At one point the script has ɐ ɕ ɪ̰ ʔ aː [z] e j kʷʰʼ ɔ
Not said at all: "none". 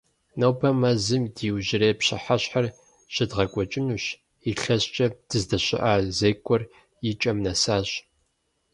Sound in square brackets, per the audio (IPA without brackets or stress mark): z